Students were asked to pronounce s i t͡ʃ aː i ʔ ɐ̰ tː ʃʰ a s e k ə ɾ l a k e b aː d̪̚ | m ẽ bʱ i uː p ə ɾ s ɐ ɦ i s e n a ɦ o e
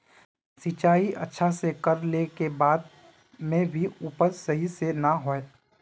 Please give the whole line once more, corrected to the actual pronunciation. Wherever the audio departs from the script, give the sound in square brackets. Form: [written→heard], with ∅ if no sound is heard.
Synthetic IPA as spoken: s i t͡ʃ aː i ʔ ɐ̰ tː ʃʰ a s e k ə ɾ l [a→e] k e b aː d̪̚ | m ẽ bʱ i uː p ə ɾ s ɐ ɦ i s e n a ɦ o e